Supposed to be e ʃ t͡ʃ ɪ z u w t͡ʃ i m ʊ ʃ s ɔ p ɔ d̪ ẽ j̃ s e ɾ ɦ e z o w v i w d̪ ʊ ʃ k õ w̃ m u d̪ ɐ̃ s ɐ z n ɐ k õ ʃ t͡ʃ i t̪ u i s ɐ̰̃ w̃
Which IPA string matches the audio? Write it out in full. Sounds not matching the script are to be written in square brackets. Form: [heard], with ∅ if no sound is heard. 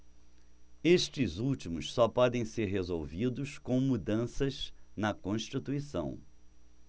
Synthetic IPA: e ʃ t͡ʃ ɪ z u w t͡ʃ i m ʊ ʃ s ɔ p ɔ d̪ ẽ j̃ s e ɾ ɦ e z o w v i [∅] d̪ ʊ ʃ k õ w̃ m u d̪ ɐ̃ s ɐ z n ɐ k õ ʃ t͡ʃ i t̪ u i s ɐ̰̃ w̃